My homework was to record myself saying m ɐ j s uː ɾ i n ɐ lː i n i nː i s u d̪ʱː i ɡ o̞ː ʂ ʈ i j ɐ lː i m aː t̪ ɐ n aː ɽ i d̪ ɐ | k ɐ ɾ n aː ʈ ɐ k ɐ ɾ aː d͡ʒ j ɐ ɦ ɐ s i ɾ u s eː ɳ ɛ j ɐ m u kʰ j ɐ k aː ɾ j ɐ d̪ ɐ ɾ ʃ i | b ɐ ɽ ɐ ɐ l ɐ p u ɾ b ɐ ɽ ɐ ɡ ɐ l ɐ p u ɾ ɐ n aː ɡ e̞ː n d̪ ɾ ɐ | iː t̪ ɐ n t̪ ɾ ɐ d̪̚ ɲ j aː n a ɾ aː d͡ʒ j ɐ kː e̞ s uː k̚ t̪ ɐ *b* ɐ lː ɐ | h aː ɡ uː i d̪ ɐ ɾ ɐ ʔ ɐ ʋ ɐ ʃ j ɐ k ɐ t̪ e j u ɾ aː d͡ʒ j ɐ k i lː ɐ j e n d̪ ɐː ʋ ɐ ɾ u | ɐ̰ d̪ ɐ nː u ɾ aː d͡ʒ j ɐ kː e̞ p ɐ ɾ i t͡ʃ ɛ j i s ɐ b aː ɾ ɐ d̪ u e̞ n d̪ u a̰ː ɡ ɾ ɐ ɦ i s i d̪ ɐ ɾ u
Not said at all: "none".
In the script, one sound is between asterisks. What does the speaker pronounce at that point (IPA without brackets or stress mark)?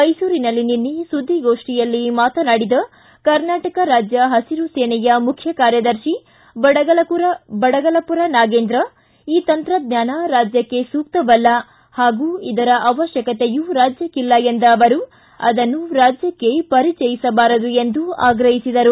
b